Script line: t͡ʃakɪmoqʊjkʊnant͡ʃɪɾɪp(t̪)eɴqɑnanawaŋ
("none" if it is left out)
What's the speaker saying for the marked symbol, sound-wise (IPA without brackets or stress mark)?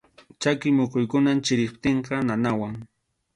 t̪